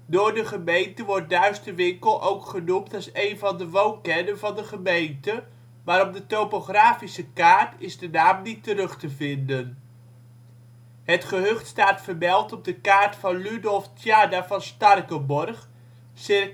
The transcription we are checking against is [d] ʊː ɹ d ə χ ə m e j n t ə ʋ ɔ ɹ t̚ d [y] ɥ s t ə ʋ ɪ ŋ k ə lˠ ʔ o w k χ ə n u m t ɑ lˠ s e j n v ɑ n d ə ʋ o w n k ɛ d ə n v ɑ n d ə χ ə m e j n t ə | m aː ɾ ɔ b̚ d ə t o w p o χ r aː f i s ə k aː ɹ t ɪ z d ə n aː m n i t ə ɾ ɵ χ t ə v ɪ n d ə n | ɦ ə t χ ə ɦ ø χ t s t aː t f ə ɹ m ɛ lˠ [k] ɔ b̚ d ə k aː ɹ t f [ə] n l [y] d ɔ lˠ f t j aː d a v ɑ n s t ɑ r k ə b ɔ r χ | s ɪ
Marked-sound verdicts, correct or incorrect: correct, incorrect: œ, incorrect: t, incorrect: ɑ, correct

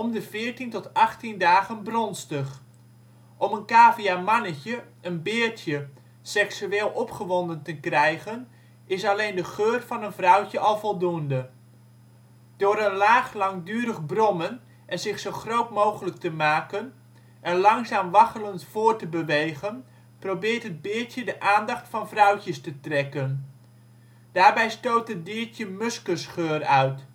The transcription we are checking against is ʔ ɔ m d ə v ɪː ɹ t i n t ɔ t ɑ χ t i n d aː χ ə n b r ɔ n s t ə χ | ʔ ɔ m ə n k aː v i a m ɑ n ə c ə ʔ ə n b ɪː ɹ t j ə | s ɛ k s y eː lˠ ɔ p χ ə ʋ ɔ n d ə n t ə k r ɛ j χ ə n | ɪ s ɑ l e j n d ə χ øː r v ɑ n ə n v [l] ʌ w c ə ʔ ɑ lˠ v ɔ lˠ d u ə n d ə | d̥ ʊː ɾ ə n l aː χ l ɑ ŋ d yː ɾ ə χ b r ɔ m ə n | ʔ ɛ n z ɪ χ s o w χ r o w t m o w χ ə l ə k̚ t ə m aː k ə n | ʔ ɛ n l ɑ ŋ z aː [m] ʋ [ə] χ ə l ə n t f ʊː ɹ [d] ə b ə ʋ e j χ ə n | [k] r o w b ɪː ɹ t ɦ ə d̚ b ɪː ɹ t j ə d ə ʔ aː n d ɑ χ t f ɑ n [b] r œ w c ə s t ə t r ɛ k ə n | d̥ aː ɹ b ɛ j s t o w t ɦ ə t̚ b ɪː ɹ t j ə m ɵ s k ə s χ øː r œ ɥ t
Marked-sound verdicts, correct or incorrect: incorrect: r, correct, incorrect: ɑ, incorrect: t, incorrect: p, incorrect: v

